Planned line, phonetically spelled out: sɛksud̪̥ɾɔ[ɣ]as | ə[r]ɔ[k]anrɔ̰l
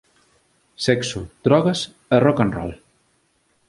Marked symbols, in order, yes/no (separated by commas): yes, yes, yes